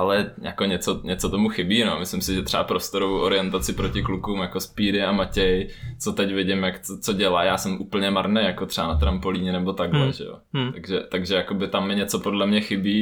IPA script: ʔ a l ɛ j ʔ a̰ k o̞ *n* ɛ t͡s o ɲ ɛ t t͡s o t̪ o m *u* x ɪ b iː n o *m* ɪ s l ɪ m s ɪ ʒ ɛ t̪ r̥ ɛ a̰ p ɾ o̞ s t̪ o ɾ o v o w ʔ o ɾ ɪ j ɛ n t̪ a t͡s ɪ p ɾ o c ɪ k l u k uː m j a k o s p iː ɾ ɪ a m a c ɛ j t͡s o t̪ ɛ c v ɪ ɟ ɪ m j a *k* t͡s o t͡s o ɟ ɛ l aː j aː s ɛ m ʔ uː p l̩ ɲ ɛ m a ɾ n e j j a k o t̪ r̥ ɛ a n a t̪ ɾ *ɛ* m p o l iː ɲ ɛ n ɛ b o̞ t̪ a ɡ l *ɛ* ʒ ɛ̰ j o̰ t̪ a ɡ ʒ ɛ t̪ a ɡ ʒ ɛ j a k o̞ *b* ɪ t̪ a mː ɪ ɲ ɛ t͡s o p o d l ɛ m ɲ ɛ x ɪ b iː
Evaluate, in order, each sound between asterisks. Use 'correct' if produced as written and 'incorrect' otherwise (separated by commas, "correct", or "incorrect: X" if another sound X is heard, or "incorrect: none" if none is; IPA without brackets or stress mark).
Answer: incorrect: ɲ, correct, correct, correct, incorrect: a, correct, correct